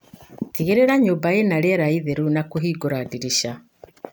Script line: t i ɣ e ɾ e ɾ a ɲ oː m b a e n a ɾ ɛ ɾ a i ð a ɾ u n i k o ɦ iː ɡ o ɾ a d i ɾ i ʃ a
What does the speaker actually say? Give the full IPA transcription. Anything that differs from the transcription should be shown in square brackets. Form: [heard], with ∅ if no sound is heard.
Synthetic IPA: t i ɣ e ɾ e ɾ a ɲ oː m b a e n a ɾ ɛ ɾ a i ð [e] ɾ u n [a] k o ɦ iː ɡ o ɾ a d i ɾ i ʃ a